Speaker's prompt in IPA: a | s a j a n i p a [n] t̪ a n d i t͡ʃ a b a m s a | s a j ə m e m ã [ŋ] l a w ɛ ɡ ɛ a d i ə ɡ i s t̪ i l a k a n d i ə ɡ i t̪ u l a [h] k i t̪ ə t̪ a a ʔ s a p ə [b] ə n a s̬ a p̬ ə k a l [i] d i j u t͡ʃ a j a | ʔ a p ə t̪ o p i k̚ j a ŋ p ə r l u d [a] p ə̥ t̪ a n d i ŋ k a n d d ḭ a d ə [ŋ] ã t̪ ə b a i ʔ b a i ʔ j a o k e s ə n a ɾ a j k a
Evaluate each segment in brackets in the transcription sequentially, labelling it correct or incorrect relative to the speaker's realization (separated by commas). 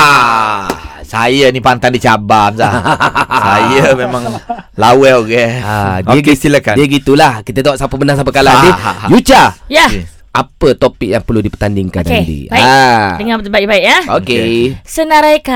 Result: correct, correct, correct, correct, incorrect, incorrect, correct